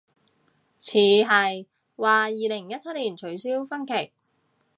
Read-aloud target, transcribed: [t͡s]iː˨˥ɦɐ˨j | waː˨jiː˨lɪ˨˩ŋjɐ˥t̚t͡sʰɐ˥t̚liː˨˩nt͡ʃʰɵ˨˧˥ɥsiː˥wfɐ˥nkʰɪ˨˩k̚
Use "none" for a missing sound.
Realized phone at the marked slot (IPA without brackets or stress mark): t͡sʰ